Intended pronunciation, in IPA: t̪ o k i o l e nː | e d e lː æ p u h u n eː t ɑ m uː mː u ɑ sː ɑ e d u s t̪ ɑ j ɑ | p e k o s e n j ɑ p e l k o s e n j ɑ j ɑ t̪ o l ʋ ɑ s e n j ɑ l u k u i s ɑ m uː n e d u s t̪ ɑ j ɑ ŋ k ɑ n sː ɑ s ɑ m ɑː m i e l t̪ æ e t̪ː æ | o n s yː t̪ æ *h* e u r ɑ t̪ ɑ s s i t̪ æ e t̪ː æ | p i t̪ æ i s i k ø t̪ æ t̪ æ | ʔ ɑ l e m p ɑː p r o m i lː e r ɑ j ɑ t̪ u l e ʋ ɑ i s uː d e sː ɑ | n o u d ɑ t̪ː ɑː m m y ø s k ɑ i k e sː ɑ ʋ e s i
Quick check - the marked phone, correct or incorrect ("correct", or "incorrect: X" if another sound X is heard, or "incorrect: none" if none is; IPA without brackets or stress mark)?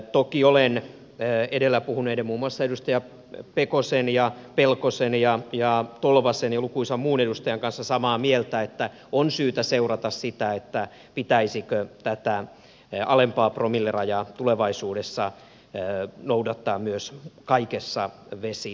incorrect: s